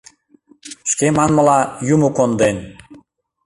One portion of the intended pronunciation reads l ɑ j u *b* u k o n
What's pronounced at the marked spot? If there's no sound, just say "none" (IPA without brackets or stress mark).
m